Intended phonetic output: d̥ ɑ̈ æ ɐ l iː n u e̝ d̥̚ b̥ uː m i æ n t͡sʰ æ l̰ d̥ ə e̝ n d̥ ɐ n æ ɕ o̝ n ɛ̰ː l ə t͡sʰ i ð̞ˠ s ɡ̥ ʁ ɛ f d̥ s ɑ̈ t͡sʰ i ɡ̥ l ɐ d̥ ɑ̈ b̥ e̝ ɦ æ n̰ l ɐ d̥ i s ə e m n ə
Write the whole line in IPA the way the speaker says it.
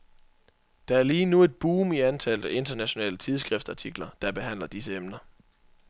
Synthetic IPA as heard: d̥ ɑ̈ æ ɐ l iː n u e̝ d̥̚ b̥ uː m i æ n t͡sʰ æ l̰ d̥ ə e̝ n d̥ ɐ n æ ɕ o̝ n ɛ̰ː l ə t͡sʰ i ð̞ˠ s ɡ̥ ʁ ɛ f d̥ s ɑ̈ t͡sʰ i ɡ̥ l ɐ d̥ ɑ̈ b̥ e̝ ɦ æ n̰ l ɐ d̥ i s ə e m n ɐ